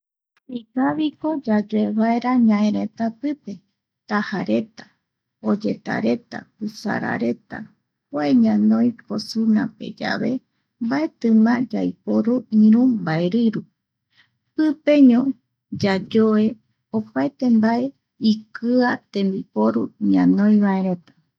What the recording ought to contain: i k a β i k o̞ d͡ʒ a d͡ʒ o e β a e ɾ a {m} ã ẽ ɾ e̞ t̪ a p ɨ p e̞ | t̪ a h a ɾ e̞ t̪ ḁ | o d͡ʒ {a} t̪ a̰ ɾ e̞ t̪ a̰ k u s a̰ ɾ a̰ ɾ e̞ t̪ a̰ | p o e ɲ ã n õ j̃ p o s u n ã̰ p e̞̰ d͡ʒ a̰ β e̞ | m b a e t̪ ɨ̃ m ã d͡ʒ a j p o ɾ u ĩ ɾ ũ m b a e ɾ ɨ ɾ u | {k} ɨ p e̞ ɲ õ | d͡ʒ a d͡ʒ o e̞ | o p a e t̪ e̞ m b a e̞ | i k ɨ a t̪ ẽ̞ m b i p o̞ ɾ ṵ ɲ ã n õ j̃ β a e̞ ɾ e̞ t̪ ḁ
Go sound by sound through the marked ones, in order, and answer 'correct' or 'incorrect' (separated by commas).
incorrect, incorrect, incorrect